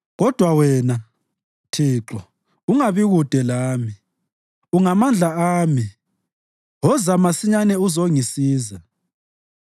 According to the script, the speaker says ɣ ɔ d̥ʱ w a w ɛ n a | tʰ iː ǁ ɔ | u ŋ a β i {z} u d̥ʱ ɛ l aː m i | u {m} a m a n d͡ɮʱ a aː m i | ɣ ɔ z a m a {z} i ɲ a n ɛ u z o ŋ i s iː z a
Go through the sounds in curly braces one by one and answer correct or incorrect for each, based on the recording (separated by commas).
incorrect, incorrect, incorrect